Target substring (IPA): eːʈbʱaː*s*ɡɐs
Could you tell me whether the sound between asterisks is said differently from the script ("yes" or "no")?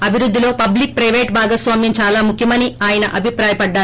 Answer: yes